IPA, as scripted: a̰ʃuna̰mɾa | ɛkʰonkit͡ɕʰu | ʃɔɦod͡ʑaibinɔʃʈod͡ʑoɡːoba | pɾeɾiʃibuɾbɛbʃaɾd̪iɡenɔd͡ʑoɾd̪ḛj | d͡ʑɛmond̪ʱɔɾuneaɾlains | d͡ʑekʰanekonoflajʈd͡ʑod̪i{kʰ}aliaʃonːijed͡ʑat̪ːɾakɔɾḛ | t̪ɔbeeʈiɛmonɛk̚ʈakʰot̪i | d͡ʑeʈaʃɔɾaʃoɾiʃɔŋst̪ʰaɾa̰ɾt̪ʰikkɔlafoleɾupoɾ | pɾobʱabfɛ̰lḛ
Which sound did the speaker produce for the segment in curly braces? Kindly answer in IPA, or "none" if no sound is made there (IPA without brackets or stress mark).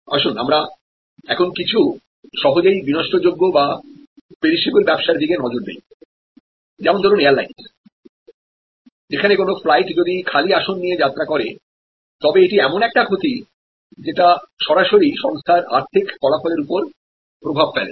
kʰ